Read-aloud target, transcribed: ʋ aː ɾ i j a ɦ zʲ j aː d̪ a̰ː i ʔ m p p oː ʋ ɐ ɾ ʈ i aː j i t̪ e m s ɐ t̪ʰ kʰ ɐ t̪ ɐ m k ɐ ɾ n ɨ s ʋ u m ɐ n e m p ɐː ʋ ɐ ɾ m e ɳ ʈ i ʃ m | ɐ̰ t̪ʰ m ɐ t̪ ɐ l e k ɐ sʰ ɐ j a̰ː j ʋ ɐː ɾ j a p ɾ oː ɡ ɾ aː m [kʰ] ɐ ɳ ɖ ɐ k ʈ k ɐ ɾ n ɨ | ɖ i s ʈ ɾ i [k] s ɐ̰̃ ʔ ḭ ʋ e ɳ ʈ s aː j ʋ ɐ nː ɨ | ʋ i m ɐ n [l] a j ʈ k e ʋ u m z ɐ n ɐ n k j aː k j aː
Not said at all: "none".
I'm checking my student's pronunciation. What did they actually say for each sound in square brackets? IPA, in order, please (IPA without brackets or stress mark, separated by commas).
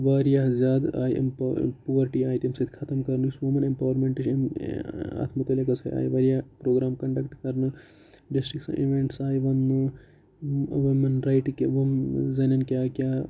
k, k, ɾ